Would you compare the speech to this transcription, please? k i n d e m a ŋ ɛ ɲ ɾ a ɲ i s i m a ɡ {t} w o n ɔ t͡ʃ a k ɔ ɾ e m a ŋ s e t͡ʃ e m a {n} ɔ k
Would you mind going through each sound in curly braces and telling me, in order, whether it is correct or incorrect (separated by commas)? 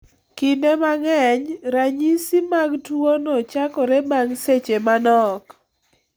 correct, correct